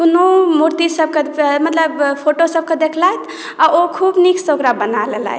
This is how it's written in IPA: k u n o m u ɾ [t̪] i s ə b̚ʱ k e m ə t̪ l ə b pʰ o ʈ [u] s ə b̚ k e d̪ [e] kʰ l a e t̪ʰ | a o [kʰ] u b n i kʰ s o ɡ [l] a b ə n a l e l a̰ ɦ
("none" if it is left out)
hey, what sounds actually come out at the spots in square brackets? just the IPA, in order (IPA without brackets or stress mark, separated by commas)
t̪, o, e, kʰ, ɾ